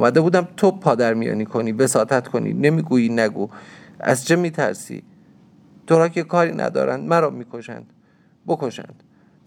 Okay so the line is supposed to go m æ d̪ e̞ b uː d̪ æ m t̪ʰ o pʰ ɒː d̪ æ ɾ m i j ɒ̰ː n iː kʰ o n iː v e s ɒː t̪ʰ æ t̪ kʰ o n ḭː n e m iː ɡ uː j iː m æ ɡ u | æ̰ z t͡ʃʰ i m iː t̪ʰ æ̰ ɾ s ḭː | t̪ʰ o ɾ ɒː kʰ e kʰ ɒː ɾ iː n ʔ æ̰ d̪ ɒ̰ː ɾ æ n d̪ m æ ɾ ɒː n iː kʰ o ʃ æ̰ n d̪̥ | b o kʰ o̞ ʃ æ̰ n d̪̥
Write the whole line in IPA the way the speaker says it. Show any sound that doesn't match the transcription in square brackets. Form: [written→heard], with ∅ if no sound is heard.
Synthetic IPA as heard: m æ d̪ e̞ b uː d̪ æ m t̪ʰ o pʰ ɒː d̪ æ ɾ m i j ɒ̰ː n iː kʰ o n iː v e s ɒː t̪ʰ æ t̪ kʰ o n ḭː n e m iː ɡ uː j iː [m→n] æ ɡ u | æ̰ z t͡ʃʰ [i→e] m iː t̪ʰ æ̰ ɾ s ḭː | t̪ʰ o ɾ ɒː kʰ e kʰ ɒː ɾ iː n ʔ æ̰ d̪ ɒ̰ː ɾ æ n d̪ m æ ɾ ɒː [n→m] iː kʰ o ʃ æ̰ n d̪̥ | b o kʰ o̞ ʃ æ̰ n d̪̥